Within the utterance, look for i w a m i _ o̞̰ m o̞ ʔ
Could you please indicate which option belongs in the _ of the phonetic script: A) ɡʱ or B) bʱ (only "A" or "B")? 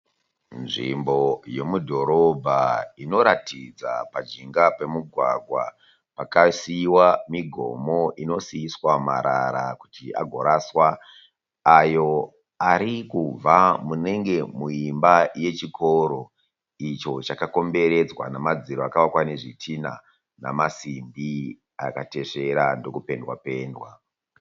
A